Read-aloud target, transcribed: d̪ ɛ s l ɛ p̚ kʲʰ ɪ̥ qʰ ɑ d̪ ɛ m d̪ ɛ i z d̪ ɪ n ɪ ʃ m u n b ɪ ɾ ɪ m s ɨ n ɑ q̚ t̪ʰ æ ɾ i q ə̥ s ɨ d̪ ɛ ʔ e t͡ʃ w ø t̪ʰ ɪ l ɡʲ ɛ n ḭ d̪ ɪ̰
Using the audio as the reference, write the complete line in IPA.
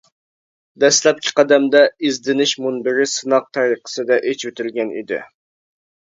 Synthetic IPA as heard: d̪ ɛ s l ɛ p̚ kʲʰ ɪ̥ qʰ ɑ d̪ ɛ m d̪ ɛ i z d̪ ɪ n ɪ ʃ m u n b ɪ ɾ ɪ s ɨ n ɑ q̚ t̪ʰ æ ɾ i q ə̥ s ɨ d̪ ɛ ʔ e t͡ʃ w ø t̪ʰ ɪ l ɡʲ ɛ n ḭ d̪ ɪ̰